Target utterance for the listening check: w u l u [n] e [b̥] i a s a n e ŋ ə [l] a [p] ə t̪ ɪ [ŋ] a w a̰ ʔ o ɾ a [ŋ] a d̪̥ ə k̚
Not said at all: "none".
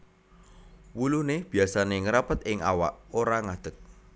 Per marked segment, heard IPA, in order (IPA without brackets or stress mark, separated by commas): n, b̥, ɾ, p, ŋ, ŋ